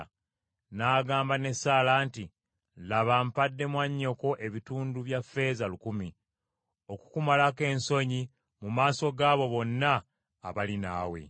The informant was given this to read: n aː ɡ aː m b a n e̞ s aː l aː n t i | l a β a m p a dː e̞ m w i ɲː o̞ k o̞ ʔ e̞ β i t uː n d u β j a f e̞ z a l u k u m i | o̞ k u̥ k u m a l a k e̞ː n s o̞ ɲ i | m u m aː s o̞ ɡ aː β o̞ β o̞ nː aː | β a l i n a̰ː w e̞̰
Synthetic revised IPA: n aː ɡ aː m b a n e̞ s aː l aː n t i | l a β a m p a dː e̞ m w a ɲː o̞ k o̞ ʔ e̞ β i t uː n d u β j a f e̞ z a l u k u m i | o̞ k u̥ k u m a l a k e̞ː n s o̞ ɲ i | m u m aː s o̞ ɡ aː β o̞ β o̞ nː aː | β a l i n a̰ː w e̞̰